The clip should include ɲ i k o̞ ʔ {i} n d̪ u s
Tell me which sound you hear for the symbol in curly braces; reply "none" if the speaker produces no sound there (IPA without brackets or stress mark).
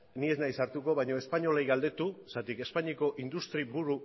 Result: i